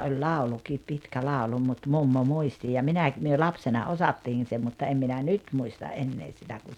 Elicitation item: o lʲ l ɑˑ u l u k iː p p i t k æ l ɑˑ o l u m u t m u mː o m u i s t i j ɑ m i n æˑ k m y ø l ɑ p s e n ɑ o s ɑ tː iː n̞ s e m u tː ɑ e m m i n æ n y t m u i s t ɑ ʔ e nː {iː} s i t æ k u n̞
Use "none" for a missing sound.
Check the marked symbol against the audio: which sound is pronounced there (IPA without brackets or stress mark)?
eː